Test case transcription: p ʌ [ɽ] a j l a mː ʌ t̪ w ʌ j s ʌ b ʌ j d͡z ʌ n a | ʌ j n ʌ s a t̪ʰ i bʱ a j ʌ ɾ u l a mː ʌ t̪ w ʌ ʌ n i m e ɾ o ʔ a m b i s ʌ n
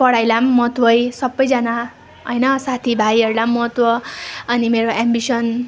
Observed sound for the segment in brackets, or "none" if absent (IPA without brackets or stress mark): ɽ